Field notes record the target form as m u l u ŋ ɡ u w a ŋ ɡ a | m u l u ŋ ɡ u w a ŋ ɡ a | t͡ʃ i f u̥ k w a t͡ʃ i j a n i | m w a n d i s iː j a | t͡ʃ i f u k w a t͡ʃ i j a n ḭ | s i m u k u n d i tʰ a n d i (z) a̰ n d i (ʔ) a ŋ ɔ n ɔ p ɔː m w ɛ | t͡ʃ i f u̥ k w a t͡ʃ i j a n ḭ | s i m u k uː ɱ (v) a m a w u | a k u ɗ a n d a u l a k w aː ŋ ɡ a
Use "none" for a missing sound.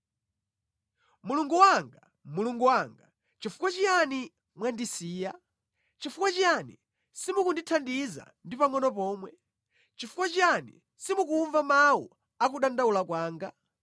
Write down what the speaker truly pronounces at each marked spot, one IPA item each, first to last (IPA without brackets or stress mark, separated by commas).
z, p, v